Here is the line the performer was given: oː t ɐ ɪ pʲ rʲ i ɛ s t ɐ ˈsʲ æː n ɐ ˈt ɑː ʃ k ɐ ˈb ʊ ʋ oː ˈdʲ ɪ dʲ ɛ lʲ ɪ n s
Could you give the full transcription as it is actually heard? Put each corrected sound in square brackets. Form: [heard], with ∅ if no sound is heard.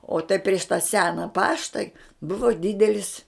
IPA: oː t ɐ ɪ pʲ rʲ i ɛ [ʃ] t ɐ ˈsʲ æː n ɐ [ˈp] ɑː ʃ [t] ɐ ˈb ʊ ʋ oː ˈdʲ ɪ dʲ ɛ lʲ ɪ [∅] s